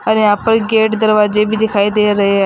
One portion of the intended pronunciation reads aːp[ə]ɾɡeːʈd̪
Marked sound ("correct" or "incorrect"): correct